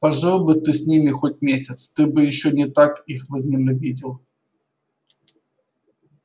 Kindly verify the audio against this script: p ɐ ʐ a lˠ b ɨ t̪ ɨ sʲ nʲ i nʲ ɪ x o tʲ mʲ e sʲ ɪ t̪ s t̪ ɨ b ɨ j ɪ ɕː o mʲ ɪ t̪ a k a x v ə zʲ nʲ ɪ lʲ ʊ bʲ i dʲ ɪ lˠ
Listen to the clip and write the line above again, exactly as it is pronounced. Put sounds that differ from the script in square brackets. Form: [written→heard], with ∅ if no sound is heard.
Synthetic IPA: p ɐ ʐ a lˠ b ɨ t̪ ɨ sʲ nʲ i [nʲ→mʲ] ɪ x o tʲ mʲ e sʲ ɪ t̪ s t̪ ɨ b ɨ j ɪ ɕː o [mʲ→nʲ] ɪ t̪ a k [a→i] x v ə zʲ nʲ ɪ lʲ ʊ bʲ i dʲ ɪ lˠ